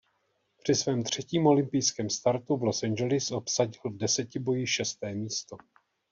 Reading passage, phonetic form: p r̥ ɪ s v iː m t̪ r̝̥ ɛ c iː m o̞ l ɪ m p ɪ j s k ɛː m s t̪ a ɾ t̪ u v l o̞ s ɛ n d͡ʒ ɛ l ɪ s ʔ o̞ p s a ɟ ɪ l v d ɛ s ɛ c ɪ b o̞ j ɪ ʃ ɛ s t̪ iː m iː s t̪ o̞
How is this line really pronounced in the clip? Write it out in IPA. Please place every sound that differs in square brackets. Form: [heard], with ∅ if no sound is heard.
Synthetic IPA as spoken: p r̥ ɪ s v [ɛː] m t̪ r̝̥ ɛ c iː m o̞ l ɪ m p ɪ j s k ɛː m s t̪ a ɾ t̪ u v l o̞ s ɛ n d͡ʒ ɛ l ɪ s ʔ o̞ p s a ɟ ɪ l v d ɛ s ɛ c ɪ b o̞ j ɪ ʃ ɛ s t̪ [ɛː] m iː s t̪ o̞